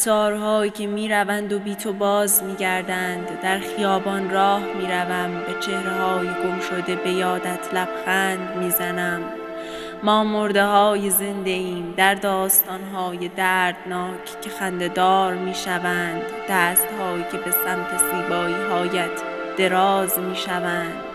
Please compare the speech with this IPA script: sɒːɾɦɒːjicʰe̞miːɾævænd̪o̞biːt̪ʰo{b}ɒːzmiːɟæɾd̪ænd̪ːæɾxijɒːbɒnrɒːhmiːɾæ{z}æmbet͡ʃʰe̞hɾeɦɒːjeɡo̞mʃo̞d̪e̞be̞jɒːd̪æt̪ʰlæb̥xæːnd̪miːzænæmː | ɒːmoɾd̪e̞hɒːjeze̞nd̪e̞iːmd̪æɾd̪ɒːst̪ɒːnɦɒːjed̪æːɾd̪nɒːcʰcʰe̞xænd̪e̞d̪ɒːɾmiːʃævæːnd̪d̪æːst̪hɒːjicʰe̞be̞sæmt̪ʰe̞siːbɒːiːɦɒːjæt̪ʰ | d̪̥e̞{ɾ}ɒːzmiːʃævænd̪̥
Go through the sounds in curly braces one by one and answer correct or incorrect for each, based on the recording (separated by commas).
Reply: correct, incorrect, correct